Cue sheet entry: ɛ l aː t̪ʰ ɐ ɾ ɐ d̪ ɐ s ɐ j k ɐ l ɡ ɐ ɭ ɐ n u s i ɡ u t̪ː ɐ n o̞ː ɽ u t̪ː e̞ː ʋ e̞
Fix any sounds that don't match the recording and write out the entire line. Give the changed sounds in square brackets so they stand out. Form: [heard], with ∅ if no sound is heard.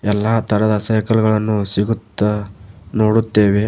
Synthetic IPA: ɛ [lː] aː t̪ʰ ɐ ɾ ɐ d̪ ɐ s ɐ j k ɐ l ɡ ɐ ɭ ɐ [nː] u s i ɡ u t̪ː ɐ n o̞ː ɽ u t̪ː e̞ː ʋ e̞